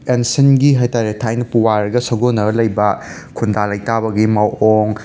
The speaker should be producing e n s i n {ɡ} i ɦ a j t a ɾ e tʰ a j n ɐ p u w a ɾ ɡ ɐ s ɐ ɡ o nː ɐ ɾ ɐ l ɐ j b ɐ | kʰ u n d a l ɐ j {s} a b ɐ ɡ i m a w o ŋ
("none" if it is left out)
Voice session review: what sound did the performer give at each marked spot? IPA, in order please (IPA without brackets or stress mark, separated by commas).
ɡ, t